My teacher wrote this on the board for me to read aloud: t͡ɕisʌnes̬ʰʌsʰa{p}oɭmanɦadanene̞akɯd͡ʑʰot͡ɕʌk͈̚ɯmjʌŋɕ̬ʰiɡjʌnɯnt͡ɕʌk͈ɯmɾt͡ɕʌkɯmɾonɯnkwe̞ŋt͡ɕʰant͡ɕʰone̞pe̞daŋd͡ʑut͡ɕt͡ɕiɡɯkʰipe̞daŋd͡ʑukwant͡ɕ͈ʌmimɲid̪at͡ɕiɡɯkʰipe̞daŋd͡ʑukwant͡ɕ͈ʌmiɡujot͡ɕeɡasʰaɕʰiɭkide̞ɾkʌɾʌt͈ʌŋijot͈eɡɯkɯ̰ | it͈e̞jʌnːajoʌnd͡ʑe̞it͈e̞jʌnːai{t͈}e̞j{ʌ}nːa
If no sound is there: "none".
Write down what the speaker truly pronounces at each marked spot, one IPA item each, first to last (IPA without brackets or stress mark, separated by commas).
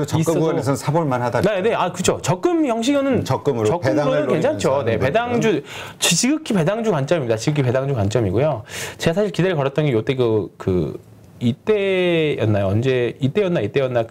b, t͈, ʌ